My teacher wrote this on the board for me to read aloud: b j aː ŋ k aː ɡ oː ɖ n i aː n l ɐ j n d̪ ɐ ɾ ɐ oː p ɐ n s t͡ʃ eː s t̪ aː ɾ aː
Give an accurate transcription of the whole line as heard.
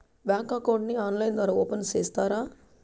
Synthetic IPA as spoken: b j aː ŋ k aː k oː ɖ n i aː n l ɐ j n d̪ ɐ ɾ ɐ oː p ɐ n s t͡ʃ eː s t̪ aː ɾ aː